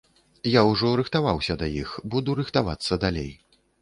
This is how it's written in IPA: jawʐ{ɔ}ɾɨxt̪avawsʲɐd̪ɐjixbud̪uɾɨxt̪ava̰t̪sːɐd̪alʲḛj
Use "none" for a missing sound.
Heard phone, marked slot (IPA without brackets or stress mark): ɔ